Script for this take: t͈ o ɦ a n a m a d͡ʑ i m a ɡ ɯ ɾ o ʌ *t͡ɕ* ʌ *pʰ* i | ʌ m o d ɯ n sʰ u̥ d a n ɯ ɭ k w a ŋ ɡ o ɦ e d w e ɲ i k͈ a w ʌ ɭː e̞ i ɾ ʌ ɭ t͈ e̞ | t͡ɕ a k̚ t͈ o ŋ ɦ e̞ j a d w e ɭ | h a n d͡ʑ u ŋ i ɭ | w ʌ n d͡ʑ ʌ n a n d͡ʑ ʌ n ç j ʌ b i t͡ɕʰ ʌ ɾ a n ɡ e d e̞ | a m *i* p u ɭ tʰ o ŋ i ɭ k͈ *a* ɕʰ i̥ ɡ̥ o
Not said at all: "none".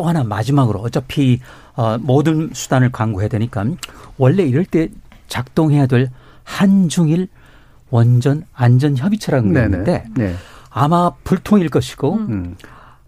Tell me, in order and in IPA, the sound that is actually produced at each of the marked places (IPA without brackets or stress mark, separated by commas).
t͡ɕ, pʰ, a, ʌ